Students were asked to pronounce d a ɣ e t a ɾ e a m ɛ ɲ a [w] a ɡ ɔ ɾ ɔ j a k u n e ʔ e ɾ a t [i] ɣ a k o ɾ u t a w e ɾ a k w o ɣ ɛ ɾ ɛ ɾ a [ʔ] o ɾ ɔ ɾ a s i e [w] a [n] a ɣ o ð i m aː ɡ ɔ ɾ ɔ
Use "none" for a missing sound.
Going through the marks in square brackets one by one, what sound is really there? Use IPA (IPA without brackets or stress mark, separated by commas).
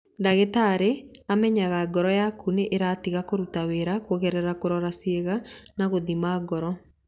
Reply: ɣ, i, k, ɣ, n